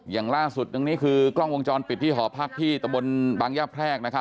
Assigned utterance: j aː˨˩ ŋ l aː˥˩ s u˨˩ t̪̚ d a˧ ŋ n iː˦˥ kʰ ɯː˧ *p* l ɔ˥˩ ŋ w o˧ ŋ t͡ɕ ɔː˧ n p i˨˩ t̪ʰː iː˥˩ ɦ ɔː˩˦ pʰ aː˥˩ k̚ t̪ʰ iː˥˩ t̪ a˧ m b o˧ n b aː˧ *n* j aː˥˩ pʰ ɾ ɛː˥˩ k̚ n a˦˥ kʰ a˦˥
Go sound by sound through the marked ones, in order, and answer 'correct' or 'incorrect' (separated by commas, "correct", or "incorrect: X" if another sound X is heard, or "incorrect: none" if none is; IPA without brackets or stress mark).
incorrect: k, incorrect: ŋ